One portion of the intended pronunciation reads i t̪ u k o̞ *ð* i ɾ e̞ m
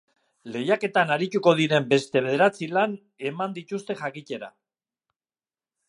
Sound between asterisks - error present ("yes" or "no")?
no